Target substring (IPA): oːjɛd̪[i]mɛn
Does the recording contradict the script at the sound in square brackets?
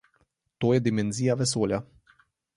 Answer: no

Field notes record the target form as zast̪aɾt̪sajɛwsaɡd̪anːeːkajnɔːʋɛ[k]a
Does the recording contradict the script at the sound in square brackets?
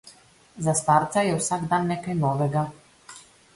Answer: yes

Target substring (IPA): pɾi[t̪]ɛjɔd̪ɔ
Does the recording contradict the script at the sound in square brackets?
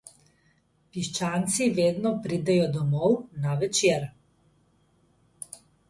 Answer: yes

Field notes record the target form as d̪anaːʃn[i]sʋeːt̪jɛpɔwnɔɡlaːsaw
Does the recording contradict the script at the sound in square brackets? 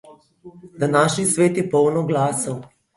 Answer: no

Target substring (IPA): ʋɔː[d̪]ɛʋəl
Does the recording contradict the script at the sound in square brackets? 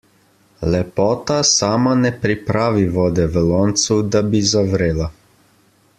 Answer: no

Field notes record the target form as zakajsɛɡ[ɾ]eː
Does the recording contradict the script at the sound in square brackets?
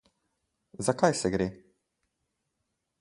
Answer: no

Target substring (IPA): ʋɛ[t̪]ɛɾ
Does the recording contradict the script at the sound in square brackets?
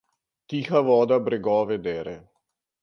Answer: yes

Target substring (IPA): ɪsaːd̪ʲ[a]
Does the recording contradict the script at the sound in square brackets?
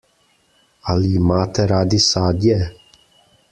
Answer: yes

